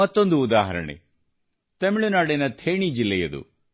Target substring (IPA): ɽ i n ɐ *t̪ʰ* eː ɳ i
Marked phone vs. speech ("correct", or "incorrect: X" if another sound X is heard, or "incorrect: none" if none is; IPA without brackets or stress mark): correct